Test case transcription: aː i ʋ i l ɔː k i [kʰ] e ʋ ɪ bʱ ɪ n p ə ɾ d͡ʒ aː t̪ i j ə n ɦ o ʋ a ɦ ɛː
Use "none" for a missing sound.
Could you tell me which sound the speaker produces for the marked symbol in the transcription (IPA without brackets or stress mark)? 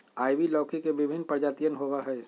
k